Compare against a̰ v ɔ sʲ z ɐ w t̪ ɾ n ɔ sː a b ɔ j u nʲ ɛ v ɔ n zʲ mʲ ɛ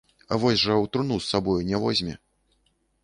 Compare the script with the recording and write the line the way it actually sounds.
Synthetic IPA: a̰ v ɔ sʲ ʐ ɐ w t̪ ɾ n u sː a b ɔ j u nʲ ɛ v ɔ zʲ mʲ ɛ